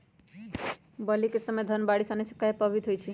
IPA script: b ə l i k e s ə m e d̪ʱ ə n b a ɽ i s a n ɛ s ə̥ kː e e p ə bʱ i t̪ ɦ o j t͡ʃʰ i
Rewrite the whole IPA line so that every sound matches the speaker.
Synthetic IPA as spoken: b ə l i k e s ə m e d̪ʱ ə n b a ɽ i s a n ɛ s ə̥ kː a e p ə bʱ i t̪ ɦ o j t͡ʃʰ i